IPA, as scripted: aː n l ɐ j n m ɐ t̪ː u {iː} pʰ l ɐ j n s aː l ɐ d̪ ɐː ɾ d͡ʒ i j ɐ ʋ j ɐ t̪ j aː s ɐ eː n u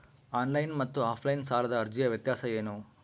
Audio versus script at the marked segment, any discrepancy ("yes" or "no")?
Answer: yes